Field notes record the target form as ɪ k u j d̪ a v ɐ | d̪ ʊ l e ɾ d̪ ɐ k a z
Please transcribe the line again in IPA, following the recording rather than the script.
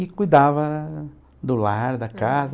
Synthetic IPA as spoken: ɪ k u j d̪ a v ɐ | d̪ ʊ l a ɾ d̪ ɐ k a z